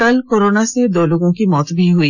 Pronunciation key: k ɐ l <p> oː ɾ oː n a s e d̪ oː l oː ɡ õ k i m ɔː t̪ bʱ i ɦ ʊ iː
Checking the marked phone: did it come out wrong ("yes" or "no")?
yes